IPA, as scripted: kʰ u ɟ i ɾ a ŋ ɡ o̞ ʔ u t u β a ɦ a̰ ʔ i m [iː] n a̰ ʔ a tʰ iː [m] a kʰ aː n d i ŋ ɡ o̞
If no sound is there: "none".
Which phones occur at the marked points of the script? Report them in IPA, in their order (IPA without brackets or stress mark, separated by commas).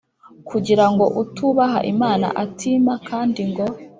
aː, m